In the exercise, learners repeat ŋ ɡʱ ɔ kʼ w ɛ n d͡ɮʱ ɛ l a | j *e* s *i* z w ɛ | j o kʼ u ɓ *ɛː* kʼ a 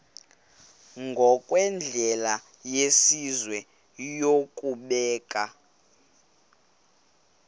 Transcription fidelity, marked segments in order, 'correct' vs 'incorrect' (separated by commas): correct, correct, correct